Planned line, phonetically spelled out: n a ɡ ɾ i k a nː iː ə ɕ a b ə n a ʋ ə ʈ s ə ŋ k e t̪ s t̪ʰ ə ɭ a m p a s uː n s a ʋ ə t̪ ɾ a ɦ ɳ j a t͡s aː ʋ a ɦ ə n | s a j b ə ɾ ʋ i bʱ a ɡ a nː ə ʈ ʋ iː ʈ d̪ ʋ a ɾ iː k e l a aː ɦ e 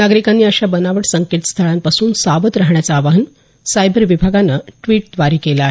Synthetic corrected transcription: n a ɡ ɾ i k a nː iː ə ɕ a b ə n a ʋ ə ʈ s ə ŋ k e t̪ s t̪ʰ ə ɭ a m p a s uː n s a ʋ ə t̪ ɾ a ɦ ɳ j a t͡s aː ʋ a ɦ ə n | s a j b ə ɾ ʋ i bʱ a ɡ a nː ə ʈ ʋ iː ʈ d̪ ʋ a ɾ iː k e l a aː ɦ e